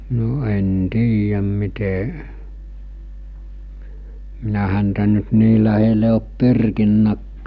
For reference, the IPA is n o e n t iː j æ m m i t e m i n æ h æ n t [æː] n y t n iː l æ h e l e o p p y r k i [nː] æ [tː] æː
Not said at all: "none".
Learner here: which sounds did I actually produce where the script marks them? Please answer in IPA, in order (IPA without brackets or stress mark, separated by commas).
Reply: æ, nː, kː